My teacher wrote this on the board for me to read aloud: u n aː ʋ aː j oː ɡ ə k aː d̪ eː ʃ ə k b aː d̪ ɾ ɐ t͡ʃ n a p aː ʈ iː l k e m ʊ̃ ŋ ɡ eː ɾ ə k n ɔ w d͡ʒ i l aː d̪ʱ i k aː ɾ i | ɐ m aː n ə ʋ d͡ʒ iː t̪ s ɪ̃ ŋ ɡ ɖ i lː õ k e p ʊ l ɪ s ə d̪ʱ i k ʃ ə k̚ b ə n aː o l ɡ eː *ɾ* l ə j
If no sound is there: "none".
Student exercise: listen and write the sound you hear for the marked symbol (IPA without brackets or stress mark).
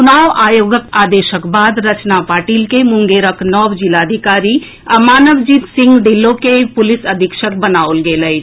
none